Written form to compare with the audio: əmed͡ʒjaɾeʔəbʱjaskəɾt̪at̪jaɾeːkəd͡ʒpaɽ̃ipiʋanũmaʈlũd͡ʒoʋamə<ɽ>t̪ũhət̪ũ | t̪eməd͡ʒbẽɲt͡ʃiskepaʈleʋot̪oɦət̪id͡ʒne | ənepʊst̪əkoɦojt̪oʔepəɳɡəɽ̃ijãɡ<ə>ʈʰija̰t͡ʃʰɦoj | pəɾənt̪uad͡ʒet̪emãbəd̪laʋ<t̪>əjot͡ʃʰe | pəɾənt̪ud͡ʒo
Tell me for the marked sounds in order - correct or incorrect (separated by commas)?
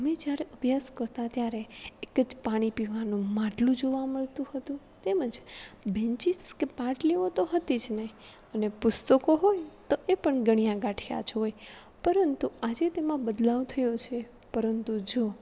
incorrect, incorrect, incorrect